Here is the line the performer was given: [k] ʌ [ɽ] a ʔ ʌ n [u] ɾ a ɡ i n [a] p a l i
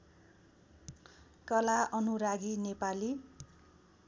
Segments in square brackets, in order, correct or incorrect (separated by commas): correct, incorrect, correct, incorrect